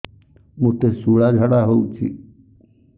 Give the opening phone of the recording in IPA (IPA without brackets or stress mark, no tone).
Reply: m